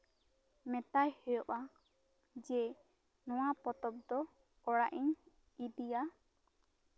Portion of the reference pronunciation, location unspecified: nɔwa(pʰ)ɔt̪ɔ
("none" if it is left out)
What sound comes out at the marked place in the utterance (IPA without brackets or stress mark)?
p